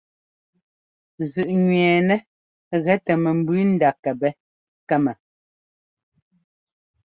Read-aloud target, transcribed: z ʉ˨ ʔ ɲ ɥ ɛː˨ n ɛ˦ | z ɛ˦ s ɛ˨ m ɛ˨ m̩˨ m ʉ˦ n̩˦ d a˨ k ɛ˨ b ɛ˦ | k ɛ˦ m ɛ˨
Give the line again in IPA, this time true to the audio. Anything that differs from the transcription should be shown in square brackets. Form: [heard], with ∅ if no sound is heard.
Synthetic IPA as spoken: z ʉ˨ ʔ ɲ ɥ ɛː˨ n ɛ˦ | [ɣ] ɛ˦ [t] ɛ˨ m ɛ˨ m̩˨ [b] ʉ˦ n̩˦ d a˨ k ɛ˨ b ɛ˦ | k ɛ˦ m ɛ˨